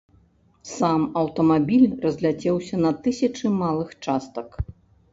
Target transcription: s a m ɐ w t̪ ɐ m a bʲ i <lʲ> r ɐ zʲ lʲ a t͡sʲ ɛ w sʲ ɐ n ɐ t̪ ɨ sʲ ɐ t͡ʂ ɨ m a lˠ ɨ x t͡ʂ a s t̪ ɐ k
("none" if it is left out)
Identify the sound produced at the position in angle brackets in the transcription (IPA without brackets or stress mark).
lʲ